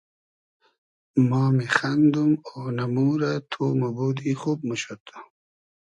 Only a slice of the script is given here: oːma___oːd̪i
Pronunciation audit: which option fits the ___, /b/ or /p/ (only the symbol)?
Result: b